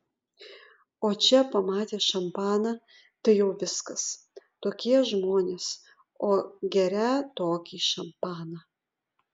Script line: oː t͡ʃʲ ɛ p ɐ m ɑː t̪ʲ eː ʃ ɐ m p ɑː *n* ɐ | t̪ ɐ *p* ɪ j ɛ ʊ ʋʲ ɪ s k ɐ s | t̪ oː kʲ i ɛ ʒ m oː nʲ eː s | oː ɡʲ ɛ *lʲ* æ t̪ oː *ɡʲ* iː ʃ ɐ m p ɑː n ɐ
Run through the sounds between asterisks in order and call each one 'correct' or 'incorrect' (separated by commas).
correct, incorrect, incorrect, incorrect